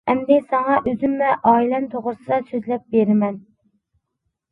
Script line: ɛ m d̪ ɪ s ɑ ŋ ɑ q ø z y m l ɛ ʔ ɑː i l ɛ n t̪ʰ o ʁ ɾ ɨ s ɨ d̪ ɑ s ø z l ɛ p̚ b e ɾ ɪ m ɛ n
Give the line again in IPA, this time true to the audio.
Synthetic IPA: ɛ m d̪ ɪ s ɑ ŋ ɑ ʔ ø z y m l ɛ ʔ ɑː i l ɛ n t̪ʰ o ʁ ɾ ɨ s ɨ d̪ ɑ s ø z l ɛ p̚ b e ɾ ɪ m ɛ n